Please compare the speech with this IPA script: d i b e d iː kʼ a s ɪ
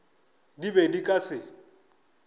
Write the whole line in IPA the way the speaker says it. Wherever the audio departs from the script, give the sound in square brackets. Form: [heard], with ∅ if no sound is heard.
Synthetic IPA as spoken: d i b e d [i] kʼ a s ɪ